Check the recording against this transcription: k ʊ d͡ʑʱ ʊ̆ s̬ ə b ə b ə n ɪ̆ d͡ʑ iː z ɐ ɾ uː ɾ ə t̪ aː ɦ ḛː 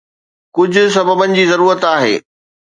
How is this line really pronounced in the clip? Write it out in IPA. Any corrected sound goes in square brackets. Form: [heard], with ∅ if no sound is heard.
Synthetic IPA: k ʊ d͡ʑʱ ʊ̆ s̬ [ɐ] b ə b ə n ɪ̆ d͡ʑ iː z ɐ ɾ uː ɾ ə t̪ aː ɦ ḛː